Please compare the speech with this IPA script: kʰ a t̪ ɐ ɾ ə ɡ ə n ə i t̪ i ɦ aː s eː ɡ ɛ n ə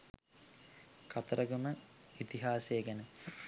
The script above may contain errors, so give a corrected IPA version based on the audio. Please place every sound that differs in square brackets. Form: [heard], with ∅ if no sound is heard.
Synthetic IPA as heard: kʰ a t̪ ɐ ɾ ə ɡ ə [m] ə i t̪ i ɦ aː s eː ɡ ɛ n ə

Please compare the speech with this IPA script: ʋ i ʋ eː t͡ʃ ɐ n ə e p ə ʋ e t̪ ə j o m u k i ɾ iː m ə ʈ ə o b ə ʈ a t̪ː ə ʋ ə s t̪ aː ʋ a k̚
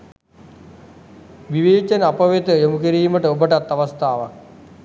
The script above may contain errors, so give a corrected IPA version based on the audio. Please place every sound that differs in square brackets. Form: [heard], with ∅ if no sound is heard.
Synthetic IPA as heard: ʋ i ʋ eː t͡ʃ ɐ n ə [a] p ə ʋ e t̪ ə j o m u k i ɾ iː m ə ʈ ə o b ə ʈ a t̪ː [a] ʋ [a] s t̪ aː ʋ a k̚

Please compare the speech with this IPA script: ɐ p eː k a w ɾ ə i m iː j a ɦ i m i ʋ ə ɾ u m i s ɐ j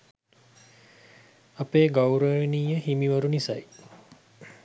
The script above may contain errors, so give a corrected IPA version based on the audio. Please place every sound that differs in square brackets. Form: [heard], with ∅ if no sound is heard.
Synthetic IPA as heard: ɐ p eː [ɡ] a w ɾ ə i [n] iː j [ə] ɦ i m i ʋ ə ɾ u [n] i s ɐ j

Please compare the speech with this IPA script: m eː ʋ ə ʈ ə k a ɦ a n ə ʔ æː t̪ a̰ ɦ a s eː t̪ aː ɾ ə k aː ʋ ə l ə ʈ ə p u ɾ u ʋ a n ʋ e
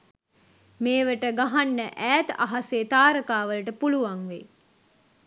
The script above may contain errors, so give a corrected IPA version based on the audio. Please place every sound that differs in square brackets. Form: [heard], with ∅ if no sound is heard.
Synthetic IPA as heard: m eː ʋ ə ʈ ə [ɡ] a ɦ a [nː] ə ʔ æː t̪ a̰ ɦ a s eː t̪ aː ɾ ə k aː ʋ ə l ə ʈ ə p u [l] u ʋ a [ŋ] ʋ e

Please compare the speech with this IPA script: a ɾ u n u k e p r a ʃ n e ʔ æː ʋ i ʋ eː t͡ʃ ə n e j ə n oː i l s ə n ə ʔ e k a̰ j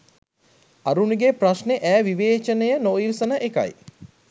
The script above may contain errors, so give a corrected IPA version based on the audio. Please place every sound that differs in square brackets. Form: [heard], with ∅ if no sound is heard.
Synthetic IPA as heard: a ɾ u n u [ɡ] e p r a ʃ n e ʔ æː ʋ i ʋ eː t͡ʃ ə n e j ə n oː i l s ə n ə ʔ e k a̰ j

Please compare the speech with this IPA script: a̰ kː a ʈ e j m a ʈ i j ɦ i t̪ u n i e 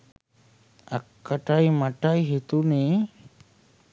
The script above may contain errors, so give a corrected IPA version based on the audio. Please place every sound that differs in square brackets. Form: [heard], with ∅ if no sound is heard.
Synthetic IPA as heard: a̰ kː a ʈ [a] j m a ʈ [a] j ɦ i t̪ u n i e

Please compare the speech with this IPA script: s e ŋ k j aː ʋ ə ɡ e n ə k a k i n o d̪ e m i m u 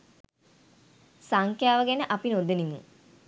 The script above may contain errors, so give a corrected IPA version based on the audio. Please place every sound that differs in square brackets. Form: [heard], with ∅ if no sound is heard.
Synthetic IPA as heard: s [a] ŋ k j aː ʋ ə ɡ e n ə [ʔ] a [p] i n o d̪ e [n] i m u

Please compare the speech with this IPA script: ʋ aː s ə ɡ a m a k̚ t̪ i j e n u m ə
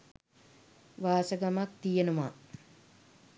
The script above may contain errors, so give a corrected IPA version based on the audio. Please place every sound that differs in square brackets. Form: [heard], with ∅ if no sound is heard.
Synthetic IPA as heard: ʋ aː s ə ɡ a m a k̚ t̪ i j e n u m [a]

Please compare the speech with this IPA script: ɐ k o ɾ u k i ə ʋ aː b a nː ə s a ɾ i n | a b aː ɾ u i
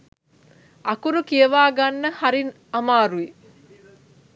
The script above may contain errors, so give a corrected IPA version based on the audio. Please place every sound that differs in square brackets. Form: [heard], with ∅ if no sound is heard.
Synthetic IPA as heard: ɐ k [u] ɾ u k i ə ʋ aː [ɡ] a nː ə [h] a ɾ i n | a [m] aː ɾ u i

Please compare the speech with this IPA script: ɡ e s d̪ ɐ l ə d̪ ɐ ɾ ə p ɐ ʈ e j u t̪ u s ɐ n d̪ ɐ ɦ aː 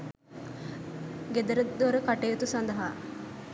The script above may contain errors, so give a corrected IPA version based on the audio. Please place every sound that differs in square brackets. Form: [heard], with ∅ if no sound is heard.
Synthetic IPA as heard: ɡ e [∅] d̪ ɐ [ɾ] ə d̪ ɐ ɾ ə [k] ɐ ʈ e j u t̪ u s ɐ n d̪ ɐ ɦ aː

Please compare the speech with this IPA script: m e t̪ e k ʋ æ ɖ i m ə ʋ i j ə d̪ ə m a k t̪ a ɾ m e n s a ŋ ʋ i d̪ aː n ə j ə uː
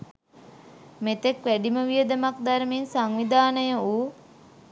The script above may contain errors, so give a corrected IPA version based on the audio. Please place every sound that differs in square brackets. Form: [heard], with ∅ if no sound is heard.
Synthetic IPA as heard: m e t̪ e k ʋ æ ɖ i m ə ʋ i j ə d̪ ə m a k [d̪] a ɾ m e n s a ŋ ʋ i d̪ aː n ə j ə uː

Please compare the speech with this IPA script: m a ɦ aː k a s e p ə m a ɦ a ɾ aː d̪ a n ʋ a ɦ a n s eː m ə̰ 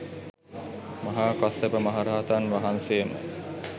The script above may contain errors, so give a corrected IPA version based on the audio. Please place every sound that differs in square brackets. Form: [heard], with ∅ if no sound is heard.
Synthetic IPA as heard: m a ɦ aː k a s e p ə m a ɦ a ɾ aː [t̪] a n ʋ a ɦ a n s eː m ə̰

